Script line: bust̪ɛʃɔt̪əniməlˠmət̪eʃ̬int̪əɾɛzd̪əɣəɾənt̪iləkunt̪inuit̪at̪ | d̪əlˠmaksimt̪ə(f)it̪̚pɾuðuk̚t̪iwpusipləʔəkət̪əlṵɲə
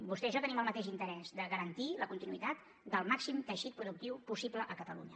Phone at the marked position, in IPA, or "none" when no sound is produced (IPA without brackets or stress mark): ʃ